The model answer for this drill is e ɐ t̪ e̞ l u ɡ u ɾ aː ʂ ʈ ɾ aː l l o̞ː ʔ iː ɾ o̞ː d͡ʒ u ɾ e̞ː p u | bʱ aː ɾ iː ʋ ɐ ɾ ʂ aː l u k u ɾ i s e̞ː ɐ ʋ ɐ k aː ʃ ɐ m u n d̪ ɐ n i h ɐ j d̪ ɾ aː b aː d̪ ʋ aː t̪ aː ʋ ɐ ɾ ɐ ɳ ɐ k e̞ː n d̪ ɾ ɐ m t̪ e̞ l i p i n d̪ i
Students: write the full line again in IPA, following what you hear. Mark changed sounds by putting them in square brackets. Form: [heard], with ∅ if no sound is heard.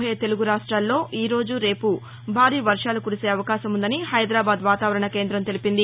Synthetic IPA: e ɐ t̪ e̞ l u ɡ u ɾ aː ʂ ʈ ɾ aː l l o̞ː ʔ iː ɾ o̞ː d͡ʒ u ɾ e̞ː p u | bʱ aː ɾ iː ʋ ɐ ɾ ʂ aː l u k u ɾ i s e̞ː ɐ ʋ ɐ k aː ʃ ɐ m u n d̪ ɐ n i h ɐ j d̪ ɾ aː b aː d̪ ʋ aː t̪ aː ʋ ɐ ɾ ɐ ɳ ɐ k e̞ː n d̪ ɾ ɐ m t̪ e̞ l i p i n d̪ i